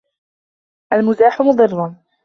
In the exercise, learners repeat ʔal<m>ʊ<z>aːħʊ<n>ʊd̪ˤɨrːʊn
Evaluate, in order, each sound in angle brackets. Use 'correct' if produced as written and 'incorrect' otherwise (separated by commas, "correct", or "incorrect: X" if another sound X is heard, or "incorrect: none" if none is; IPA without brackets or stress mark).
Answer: correct, correct, incorrect: m